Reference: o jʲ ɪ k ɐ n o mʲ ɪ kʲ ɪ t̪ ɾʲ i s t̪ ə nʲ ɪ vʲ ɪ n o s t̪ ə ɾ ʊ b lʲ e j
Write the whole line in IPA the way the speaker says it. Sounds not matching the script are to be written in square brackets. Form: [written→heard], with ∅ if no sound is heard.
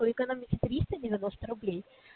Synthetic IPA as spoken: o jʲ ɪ k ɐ n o mʲ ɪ kʲ ɪ t̪ ɾʲ i s t̪ ə [nʲ→dʲ] ɪ vʲ ɪ n o s t̪ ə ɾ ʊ b lʲ e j